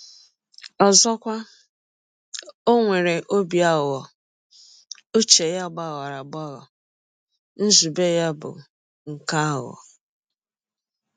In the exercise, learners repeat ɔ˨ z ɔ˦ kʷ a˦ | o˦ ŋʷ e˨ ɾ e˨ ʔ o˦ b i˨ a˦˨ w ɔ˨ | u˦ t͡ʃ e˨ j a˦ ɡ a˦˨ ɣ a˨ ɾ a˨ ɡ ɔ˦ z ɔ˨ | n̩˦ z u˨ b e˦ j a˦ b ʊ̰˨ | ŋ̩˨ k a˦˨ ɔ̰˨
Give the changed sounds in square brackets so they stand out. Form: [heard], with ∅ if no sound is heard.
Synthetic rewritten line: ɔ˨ z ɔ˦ kʷ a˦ | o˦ ŋʷ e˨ ɾ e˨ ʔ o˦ b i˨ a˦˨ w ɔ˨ | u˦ t͡ʃ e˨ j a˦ [ɡ͡b] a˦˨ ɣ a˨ ɾ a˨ [ɡ͡b] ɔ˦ [ɣ] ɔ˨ | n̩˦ z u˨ b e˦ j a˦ b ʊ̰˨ | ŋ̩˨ k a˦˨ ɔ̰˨

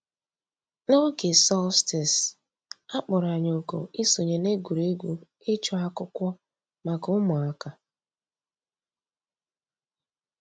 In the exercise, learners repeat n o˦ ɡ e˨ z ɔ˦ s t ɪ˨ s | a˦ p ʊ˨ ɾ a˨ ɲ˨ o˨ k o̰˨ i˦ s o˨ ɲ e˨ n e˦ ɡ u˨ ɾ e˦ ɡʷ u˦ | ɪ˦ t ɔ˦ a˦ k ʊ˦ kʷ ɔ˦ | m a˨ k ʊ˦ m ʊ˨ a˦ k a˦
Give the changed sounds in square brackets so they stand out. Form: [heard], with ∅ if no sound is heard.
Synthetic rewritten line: n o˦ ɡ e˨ [s] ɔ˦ s t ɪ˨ s | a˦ [k͡p] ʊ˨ ɾ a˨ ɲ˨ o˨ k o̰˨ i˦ s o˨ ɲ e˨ n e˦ ɡ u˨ ɾ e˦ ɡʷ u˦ | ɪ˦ [t͡ʃ] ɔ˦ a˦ k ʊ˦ kʷ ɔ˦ | m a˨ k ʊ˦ m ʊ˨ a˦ k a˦

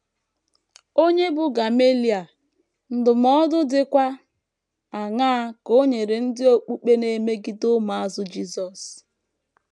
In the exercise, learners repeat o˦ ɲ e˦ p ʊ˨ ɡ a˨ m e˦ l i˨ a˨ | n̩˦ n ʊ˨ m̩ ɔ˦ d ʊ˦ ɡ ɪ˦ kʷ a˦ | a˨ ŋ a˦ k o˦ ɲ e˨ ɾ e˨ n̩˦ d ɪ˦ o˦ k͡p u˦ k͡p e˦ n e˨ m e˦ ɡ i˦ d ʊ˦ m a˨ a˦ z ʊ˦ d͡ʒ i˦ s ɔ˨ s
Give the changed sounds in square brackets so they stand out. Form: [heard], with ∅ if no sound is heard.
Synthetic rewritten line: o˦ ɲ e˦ [b] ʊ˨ ɡ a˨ m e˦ l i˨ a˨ | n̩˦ [d] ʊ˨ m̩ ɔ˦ d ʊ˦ [d] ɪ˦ kʷ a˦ | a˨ ŋ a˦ k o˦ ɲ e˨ ɾ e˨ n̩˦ d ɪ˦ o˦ k͡p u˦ k͡p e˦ n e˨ m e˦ ɡ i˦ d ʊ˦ m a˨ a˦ z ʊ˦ d͡ʒ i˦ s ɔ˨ s

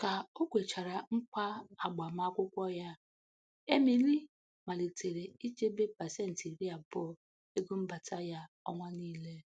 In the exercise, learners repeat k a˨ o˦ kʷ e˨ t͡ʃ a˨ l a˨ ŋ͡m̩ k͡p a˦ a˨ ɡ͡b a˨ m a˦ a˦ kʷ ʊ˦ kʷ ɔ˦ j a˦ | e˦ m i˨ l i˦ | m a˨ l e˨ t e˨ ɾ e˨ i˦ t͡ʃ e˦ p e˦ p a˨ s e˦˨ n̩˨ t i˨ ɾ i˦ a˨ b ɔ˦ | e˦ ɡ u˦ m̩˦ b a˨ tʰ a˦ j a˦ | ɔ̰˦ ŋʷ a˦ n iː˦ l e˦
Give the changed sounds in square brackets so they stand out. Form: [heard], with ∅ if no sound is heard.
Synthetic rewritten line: k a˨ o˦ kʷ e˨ t͡ʃ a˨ [ɾ] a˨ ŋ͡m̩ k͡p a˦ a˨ ɡ͡b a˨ m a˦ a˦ kʷ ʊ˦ kʷ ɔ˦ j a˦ | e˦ m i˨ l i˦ | m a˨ l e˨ t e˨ ɾ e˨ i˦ t͡ʃ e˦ [b] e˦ p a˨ s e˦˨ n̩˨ t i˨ ɾ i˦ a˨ b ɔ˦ | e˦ ɡ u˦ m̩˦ b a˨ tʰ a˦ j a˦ | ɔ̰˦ ŋʷ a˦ n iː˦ l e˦

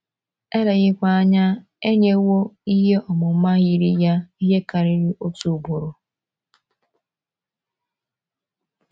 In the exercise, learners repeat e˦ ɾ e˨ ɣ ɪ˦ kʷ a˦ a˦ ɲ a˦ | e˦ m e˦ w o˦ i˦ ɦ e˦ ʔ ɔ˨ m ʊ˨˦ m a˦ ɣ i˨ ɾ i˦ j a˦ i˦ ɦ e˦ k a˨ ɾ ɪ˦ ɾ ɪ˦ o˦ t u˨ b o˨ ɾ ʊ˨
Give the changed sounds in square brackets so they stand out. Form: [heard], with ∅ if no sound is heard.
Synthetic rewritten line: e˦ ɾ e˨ ɣ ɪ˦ kʷ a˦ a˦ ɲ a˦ | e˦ [ɲ] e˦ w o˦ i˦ ɦ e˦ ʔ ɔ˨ m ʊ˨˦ m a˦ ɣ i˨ ɾ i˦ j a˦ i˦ ɦ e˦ k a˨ ɾ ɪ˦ ɾ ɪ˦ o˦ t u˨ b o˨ ɾ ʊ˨

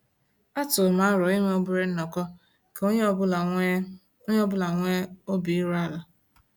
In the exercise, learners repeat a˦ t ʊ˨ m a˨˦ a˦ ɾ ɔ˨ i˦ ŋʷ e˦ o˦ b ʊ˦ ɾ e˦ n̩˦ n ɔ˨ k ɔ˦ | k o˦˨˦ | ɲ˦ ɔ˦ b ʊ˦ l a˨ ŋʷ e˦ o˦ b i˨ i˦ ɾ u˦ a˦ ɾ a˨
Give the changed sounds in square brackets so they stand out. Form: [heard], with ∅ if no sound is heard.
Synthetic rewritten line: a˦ t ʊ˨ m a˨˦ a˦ ɾ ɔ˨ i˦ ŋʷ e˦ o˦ b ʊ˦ ɾ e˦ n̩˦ n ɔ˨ k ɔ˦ | k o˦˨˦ | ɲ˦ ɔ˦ b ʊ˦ l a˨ ŋʷ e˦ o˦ b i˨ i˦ ɾ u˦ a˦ [l] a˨

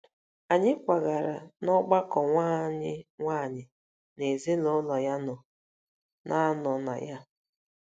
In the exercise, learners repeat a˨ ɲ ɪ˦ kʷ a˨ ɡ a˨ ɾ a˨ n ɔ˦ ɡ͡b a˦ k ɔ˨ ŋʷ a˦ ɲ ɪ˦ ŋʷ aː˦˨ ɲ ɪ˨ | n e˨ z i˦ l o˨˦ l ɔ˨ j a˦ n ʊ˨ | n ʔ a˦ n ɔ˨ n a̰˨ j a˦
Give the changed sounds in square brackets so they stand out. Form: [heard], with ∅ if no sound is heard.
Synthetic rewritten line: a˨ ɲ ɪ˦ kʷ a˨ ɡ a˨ ɾ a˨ n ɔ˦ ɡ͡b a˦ k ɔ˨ ŋʷ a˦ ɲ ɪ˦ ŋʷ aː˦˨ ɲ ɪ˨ | n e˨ z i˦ l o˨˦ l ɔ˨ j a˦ n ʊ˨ | n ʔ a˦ n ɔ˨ n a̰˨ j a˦

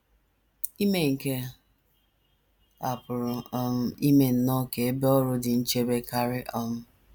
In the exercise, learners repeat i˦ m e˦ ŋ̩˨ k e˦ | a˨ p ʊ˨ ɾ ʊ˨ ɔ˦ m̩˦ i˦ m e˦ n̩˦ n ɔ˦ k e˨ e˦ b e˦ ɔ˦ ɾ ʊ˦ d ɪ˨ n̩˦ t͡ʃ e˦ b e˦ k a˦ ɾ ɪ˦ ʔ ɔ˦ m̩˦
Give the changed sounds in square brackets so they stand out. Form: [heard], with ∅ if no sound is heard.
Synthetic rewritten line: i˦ m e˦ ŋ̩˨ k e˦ | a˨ p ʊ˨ ɾ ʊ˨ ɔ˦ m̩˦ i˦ m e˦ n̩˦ n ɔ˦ k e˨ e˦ b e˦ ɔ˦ ɾ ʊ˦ d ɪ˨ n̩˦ t͡ʃ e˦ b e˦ k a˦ ɾ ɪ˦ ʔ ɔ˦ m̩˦

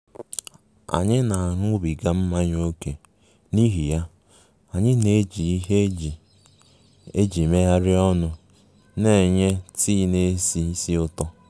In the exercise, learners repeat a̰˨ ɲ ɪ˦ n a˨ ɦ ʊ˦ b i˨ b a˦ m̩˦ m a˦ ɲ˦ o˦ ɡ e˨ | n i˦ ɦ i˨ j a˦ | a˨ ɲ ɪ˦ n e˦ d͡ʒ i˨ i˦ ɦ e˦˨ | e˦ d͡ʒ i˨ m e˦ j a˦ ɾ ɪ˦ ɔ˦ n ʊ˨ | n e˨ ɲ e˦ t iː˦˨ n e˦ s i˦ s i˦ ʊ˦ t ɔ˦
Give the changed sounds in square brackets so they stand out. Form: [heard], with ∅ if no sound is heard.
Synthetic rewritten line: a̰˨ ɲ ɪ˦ n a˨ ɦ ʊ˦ b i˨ [ɡ] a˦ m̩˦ m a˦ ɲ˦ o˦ [k] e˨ | n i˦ ɦ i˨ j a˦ | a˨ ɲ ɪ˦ n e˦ d͡ʒ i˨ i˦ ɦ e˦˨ | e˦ d͡ʒ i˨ m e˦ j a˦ ɾ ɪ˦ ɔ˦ n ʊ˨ | n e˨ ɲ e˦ t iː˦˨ n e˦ s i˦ s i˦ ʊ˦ t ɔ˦

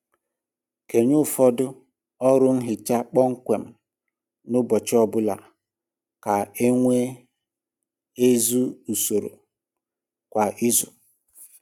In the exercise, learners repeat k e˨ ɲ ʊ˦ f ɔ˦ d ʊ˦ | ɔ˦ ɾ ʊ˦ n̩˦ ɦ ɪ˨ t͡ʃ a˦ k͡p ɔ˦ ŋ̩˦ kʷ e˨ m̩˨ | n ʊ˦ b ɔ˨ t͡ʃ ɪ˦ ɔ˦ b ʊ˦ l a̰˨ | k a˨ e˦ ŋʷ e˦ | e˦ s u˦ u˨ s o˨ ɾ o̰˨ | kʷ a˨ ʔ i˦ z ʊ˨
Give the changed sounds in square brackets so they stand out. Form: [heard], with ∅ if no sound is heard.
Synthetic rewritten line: k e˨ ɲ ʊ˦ f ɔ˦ d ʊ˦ | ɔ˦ ɾ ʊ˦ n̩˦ ɦ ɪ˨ t͡ʃ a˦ k͡p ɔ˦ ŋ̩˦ kʷ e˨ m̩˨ | n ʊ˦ b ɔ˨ t͡ʃ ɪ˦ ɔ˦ b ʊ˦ l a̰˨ | k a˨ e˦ ŋʷ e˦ | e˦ [z] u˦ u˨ s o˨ ɾ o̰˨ | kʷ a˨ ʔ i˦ z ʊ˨

